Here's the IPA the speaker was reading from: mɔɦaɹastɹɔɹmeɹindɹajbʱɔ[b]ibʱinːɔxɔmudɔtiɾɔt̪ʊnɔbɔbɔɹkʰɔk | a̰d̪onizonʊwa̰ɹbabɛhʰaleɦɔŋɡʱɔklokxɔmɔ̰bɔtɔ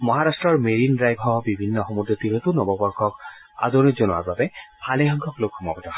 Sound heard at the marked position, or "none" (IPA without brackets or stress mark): b